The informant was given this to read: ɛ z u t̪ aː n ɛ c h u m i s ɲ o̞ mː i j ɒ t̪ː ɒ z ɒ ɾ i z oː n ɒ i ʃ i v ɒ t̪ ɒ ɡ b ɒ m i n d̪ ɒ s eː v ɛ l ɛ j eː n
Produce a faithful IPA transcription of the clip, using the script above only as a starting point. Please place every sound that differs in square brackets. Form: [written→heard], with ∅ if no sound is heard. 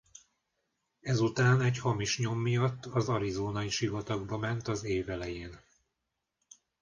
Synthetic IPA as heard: ɛ z u t̪ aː n ɛ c h [u→ɒ] m i [s→ʃ] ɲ o̞ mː i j ɒ t̪ː ɒ z ɒ ɾ i z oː n ɒ i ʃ i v ɒ t̪ ɒ ɡ b ɒ m [i→ɛ] n [d̪→t̪] ɒ [s→z] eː v ɛ l ɛ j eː n